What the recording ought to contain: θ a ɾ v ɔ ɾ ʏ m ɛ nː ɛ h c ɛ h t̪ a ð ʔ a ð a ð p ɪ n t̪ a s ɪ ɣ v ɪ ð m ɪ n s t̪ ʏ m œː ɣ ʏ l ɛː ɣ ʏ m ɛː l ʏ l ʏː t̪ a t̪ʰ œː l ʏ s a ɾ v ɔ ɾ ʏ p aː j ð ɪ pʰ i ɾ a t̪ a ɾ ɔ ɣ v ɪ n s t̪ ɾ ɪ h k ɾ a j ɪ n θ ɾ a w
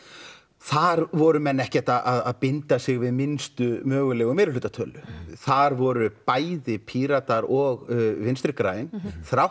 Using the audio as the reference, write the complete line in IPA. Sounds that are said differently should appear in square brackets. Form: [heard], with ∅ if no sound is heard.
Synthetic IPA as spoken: θ a ɾ v ɔ ɾ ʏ m ɛ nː ɛ h c ɛ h t̪ a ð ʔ a ð a ð p ɪ n t̪ a s ɪ ɣ v ɪ ð m ɪ n s t̪ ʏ m œː ɣ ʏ l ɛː ɣ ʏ m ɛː [ɾ] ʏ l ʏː t̪ a t̪ʰ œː l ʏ [θ] a ɾ v ɔ ɾ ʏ p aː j ð ɪ pʰ i ɾ a t̪ a ɾ ɔ ɣ v ɪ n s t̪ ɾ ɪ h k ɾ a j ɪ n θ ɾ a w